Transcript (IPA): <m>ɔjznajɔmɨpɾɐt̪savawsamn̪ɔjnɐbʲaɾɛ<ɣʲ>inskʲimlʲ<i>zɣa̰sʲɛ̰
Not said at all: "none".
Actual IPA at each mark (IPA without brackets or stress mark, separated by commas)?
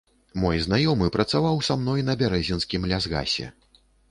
m, zʲ, a